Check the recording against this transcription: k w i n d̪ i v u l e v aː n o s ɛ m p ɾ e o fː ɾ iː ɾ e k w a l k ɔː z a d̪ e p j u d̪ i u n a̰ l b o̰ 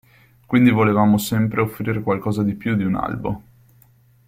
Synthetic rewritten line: k w i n d̪ i v o l e v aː m o s ɛ m p ɾ e o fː ɾ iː ɾ e k w a l k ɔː z a d̪ i p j u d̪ i u n a̰ l b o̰